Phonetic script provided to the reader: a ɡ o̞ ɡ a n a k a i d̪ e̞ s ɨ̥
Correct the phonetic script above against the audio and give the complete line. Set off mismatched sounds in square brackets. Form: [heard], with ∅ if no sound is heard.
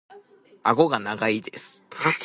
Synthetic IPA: a ɡ o̞ ɡ a n a [ɡ] a i d̪ e̞ s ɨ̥